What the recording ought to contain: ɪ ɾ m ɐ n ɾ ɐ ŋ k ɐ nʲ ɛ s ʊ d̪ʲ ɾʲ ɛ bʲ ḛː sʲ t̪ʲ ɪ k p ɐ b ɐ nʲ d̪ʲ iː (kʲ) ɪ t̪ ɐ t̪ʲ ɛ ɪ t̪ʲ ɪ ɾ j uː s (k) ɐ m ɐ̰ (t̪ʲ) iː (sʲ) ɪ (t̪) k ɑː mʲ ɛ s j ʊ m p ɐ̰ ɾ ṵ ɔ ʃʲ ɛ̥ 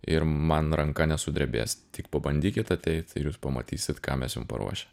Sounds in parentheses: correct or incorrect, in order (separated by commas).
correct, incorrect, correct, correct, correct